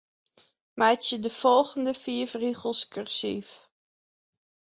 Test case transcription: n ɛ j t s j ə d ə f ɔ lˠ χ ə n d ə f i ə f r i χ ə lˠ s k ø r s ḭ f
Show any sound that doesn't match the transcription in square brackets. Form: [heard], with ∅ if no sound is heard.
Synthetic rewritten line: [m] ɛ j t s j ə d ə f ɔ lˠ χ ə n d ə f i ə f r i χ ə lˠ s k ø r s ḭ f